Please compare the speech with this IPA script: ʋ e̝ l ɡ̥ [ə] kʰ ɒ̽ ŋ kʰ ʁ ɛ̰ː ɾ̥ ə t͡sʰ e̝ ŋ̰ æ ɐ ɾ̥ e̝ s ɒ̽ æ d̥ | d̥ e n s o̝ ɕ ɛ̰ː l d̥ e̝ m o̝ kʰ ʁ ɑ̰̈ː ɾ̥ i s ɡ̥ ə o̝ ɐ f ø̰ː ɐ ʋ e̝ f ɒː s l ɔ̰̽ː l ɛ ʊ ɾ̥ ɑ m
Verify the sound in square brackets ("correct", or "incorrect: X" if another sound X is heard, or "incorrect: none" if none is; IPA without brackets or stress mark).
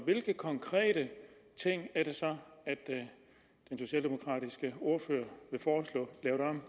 correct